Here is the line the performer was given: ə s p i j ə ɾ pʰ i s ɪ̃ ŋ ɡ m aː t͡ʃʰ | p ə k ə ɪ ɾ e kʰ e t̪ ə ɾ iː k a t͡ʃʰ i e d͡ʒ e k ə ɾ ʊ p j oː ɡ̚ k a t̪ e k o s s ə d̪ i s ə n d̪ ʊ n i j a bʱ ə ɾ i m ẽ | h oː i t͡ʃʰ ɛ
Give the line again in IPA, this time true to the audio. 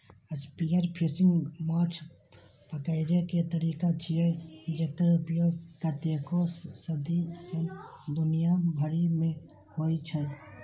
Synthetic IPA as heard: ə s p i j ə ɾ pʰ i s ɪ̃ ŋ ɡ m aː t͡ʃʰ | p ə k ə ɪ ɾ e k e t̪ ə ɾ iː k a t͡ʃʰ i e d͡ʒ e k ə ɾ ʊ p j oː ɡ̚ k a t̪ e k o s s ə d̪ i s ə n d̪ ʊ n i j a bʱ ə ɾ i m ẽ | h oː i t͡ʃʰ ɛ